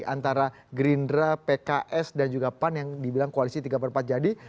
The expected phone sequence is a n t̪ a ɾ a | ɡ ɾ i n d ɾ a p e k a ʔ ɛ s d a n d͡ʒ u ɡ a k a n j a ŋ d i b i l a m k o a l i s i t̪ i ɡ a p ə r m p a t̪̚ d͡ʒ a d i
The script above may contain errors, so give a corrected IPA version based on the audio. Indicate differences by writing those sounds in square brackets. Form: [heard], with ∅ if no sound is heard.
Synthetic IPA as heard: a n t̪ a ɾ a | ɡ ɾ i n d ɾ a p e k a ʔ ɛ s d a n d͡ʒ u ɡ a [p] a n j a ŋ d i b i l a [ŋ] k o a l i s i t̪ i ɡ a p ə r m p a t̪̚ d͡ʒ a d i